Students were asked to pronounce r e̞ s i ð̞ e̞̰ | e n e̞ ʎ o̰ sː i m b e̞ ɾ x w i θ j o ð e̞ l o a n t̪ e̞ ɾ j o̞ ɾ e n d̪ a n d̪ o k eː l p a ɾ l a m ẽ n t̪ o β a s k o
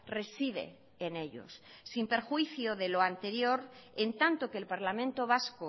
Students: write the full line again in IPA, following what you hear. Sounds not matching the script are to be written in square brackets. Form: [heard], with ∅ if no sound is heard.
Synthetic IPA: r e̞ s i ð̞ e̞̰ | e n e̞ ʎ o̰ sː i m [p] e̞ ɾ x w i θ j o ð e̞ l o a n t̪ e̞ ɾ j o̞ ɾ e n [t̪] a n [t̪] o k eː l p a ɾ l a m ẽ n t̪ o β a s k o

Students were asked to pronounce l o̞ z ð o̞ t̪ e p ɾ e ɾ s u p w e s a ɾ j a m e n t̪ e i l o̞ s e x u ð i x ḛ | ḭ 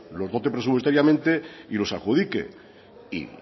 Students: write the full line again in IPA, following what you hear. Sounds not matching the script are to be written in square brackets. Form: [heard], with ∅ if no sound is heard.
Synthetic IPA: l o̞ z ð o̞ t̪ e p ɾ e [∅] s u p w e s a ɾ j a m [ẽ] n t̪ e i l o̞ s [a] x u ð i [k] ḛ | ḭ

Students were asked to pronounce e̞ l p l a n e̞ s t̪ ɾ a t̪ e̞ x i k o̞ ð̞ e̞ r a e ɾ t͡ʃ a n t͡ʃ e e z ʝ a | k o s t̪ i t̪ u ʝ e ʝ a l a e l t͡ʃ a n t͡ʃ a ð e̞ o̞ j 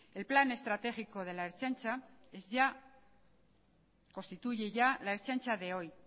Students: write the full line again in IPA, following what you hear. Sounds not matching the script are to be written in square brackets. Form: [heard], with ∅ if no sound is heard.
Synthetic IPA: e̞ l p l a n e̞ s t̪ ɾ a t̪ e̞ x i k o̞ ð̞ e̞ [l] a e ɾ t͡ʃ a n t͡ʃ [a] e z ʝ a | k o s t̪ i t̪ u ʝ e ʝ a l a e [ɾ] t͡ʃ a n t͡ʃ a ð e̞ o̞ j

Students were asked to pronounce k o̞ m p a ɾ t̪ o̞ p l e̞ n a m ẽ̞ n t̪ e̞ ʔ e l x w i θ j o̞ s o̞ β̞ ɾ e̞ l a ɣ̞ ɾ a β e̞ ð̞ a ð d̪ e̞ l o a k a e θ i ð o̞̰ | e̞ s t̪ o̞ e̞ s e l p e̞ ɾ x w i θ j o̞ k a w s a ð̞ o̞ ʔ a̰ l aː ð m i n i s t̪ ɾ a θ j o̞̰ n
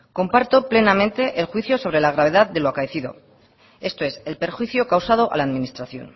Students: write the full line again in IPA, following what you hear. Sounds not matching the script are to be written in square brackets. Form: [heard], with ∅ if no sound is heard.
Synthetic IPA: k o̞ m p a ɾ t̪ o̞ p l e̞ n a m ẽ̞ n t̪ e̞ ʔ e l x w i θ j o̞ s o̞ β̞ ɾ e̞ l a ɣ̞ ɾ a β e̞ ð̞ a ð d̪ e̞ l o a k a e θ i ð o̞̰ | e̞ s t̪ o̞ e̞ s e l p e̞ ɾ x w i θ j o̞ k a w s a ð̞ o̞ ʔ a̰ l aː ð m i n i s t̪ ɾ a θ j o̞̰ n

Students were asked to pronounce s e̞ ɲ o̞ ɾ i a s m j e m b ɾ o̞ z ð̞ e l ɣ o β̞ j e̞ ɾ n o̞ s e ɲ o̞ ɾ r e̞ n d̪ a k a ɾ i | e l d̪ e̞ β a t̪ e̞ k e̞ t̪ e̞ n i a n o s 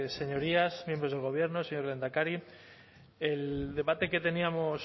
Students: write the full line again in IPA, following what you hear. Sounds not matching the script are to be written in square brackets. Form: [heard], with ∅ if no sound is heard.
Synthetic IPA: s e̞ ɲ o̞ ɾ i a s m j e m b ɾ o̞ z ð̞ e l ɣ o β̞ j e̞ ɾ n o̞ s e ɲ o̞ ɾ [l] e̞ n d̪ a k a ɾ i | e l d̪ e̞ β a t̪ e̞ k e̞ t̪ e̞ n i a [m] o s

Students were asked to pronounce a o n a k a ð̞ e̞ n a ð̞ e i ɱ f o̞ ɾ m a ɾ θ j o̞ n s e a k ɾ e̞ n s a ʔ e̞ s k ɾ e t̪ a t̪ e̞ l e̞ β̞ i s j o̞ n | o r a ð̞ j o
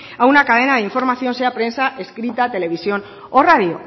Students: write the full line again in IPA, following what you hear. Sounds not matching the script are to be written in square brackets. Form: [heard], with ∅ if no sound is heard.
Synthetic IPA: a [u] n a k a ð̞ e̞ n a ð̞ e i ɱ f o̞ ɾ m a [∅] θ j o̞ n s e a [p] ɾ e̞ n s a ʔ e̞ s k ɾ [i] t̪ a t̪ e̞ l e̞ β̞ i s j o̞ n | o r a ð̞ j o

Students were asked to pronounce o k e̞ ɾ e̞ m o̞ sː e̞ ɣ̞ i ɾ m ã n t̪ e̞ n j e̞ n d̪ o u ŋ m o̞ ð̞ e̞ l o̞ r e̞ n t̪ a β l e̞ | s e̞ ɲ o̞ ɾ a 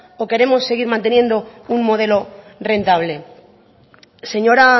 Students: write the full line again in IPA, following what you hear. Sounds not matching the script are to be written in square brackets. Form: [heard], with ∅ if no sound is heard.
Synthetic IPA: o k e̞ ɾ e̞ m o̞ sː e̞ ɣ̞ i ɾ m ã n t̪ e̞ n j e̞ n d̪ o u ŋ m o̞ ð̞ e̞ l o̞ r e̞ n t̪ a β l e̞ | s e̞ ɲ o̞ ɾ a

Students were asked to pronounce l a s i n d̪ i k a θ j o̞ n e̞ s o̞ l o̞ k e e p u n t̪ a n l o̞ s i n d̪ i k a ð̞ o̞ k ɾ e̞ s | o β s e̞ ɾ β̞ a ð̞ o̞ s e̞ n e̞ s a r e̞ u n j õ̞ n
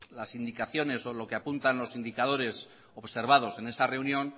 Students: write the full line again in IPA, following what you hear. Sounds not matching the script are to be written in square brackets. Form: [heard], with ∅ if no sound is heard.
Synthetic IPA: l a s i n d̪ i k a θ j o̞ n e̞ s o̞ l o̞ k e [a] p u n t̪ a n l o̞ s i n d̪ i k a ð̞ o̞ [∅] ɾ e̞ s | o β s e̞ ɾ β̞ a ð̞ o̞ s e̞ n e̞ s a r e̞ u n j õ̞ n

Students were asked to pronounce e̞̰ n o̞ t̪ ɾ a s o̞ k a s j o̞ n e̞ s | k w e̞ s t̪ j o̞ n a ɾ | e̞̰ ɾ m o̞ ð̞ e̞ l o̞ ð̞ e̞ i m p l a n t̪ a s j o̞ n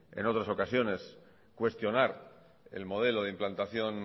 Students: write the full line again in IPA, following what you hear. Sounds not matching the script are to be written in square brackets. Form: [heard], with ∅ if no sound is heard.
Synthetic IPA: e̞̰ n o̞ t̪ ɾ a s o̞ k a s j o̞ n e̞ s | k w e̞ s t̪ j o̞ n a ɾ | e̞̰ [l] m o̞ ð̞ e̞ l o̞ ð̞ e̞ i m p l a n t̪ a [θ] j o̞ n

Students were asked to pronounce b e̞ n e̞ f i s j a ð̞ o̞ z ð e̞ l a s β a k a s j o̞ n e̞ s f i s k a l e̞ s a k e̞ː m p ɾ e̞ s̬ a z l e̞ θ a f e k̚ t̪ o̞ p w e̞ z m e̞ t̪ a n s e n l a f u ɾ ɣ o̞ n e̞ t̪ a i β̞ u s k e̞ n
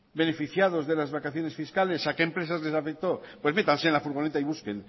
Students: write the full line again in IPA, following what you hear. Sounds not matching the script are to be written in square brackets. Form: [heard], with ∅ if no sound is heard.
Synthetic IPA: b e̞ n e̞ f i [θ] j a ð̞ o̞ z ð e̞ l a [z] β a k a [θ] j o̞ n e̞ s f i s k a l e̞ s a k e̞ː m p ɾ e̞ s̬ a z l e̞ [s] a f e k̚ t̪ o̞ p w e̞ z m e̞ t̪ a n s e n l a f u ɾ ɣ o̞ n e̞ t̪ a i β̞ u s k e̞ n

